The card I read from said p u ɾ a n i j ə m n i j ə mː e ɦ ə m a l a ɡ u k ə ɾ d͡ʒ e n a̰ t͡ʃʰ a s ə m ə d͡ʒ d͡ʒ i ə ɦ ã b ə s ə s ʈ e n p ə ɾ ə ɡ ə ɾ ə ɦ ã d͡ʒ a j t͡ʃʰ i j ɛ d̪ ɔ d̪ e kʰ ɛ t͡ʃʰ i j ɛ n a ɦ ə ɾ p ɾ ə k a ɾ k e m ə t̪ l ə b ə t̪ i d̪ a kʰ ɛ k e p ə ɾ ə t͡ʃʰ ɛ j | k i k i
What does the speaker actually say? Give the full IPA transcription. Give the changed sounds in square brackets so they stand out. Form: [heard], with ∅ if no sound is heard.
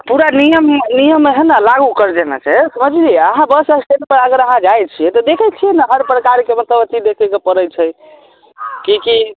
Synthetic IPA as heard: p u ɾ a n i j ə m n i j ə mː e ɦ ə [n] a l a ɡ u k ə ɾ d͡ʒ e n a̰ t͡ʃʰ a s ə m ə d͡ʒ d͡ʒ i ə ɦ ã b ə s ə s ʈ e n p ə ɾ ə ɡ ə ɾ ə ɦ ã d͡ʒ a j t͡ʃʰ i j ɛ [t̪] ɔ d̪ e kʰ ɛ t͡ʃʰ i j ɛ n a ɦ ə ɾ p ɾ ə k a ɾ k e m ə t̪ l ə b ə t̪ i d̪ [e] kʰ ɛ k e p ə ɾ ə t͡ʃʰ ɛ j | k i k i